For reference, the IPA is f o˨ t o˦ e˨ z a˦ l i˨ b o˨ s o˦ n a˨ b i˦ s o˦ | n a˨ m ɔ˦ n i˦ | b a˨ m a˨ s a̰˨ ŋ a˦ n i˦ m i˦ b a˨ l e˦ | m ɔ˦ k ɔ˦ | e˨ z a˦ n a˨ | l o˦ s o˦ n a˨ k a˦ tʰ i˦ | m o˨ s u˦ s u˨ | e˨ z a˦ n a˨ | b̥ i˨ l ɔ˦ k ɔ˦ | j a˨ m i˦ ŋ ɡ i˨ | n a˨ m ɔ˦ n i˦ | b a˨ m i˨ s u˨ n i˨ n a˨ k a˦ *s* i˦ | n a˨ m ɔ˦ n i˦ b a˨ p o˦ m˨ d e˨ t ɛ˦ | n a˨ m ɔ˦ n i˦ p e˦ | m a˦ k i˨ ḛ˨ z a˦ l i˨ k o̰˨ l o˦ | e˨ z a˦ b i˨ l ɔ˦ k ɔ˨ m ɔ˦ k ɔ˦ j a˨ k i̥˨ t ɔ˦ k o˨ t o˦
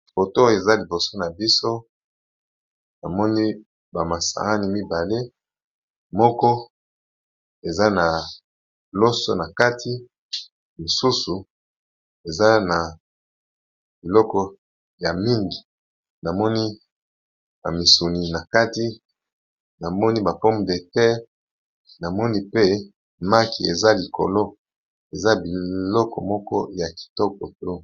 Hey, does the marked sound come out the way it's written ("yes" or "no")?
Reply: no